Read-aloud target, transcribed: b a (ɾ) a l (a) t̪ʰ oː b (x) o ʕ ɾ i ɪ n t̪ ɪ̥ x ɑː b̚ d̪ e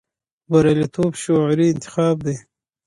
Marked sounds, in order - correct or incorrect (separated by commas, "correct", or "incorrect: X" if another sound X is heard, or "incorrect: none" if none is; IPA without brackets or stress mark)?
correct, incorrect: i, incorrect: ʃ